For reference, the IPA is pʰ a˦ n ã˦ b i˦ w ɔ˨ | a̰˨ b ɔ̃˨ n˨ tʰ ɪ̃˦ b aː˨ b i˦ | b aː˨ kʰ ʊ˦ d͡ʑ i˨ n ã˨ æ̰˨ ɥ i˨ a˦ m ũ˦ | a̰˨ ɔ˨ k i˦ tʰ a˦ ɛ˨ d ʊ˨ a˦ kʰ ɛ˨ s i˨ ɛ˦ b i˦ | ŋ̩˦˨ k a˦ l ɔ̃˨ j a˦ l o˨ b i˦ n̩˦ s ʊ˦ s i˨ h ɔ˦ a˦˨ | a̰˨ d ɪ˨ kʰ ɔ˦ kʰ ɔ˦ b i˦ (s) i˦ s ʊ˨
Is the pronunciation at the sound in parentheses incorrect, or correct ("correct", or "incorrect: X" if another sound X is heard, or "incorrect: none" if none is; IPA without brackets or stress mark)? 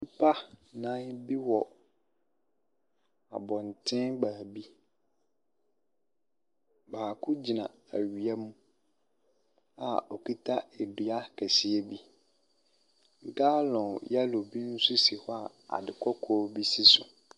correct